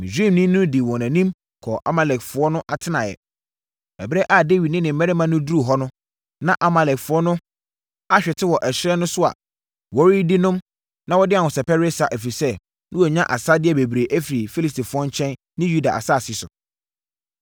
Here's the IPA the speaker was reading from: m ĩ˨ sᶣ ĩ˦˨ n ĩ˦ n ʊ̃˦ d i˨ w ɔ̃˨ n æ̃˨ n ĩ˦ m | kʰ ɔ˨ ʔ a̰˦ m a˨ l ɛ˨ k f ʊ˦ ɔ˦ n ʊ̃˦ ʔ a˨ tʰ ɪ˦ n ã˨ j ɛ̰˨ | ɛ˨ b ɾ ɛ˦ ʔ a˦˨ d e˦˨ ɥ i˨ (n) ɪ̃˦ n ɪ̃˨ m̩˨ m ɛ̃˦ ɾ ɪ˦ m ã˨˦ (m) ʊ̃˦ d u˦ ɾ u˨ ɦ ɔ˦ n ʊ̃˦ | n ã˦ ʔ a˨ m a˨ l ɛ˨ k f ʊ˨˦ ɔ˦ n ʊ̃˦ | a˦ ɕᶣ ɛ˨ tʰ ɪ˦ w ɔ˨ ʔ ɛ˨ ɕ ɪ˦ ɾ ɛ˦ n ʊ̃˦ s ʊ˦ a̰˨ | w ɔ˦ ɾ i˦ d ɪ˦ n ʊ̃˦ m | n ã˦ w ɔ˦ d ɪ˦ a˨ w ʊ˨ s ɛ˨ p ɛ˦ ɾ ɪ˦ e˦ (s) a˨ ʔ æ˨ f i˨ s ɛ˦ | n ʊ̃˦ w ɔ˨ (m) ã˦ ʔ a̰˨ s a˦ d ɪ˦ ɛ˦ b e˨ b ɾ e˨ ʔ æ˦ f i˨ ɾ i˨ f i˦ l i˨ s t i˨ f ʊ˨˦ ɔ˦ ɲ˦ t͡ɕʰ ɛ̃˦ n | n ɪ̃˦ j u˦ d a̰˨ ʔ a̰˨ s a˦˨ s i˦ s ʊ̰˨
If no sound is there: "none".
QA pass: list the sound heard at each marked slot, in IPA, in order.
n, n, s, ɲ

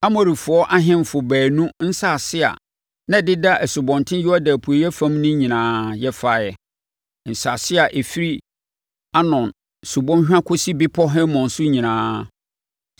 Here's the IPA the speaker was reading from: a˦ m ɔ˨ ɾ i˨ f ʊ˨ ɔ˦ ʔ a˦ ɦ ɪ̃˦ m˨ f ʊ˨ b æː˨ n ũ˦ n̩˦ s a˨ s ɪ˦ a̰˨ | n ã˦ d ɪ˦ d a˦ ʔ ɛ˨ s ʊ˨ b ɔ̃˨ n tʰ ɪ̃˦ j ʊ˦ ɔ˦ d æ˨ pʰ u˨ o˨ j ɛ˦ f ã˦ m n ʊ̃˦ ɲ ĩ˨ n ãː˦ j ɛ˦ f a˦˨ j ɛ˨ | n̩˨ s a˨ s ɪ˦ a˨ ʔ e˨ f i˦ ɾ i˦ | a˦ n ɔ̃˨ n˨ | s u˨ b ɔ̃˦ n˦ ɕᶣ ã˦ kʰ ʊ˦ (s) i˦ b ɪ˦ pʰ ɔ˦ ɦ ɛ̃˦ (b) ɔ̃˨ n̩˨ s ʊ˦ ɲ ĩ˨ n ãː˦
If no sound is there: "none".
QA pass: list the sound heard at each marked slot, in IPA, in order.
s, m

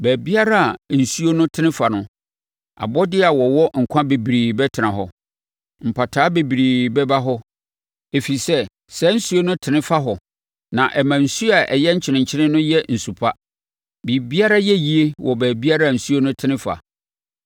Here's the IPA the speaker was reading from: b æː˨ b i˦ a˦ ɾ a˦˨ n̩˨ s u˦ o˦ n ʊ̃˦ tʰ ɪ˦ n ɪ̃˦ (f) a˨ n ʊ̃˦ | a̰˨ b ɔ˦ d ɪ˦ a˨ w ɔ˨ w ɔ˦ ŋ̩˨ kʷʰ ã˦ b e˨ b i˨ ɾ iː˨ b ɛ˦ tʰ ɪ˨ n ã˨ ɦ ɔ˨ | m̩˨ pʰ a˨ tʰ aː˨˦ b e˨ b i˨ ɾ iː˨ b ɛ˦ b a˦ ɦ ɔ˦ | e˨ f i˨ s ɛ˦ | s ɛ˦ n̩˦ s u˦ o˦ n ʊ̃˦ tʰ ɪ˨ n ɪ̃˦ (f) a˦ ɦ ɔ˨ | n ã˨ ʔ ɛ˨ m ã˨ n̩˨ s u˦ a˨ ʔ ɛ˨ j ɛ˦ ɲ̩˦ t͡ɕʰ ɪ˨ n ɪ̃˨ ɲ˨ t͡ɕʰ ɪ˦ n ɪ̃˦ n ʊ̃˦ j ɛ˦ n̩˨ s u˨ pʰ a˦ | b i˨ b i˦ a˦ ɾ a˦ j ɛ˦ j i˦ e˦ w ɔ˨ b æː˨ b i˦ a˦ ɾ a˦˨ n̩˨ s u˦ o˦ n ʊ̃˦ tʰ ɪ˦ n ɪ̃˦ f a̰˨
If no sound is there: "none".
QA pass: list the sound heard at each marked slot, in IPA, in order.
f, f

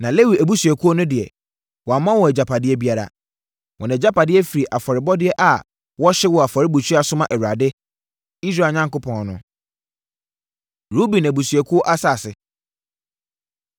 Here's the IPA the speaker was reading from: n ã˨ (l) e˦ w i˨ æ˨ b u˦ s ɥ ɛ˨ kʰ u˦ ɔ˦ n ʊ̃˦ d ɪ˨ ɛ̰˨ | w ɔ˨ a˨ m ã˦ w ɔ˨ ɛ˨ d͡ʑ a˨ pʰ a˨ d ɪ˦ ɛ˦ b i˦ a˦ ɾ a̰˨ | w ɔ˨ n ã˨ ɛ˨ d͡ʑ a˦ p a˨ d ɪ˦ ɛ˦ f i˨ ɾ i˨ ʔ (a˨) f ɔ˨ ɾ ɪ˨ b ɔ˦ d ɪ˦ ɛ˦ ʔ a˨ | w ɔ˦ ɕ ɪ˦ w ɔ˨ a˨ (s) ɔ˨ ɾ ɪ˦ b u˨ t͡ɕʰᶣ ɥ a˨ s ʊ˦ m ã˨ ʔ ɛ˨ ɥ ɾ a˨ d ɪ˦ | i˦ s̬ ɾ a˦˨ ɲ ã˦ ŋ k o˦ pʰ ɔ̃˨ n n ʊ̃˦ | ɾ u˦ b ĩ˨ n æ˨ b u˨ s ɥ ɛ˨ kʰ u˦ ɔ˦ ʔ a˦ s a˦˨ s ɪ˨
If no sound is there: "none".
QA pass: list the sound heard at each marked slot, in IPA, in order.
l, a˨, f

